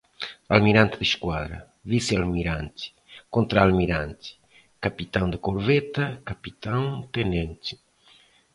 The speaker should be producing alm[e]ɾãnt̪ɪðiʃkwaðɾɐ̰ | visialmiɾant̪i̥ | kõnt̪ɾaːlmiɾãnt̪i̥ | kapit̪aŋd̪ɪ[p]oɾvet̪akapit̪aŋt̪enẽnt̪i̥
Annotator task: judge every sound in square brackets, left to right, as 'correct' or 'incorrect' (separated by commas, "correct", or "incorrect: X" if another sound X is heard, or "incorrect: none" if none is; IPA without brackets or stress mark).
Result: incorrect: i, incorrect: k